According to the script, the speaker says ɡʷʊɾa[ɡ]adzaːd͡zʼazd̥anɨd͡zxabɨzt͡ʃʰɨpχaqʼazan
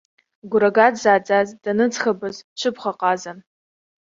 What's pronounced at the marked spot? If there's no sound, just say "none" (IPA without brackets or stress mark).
ɡ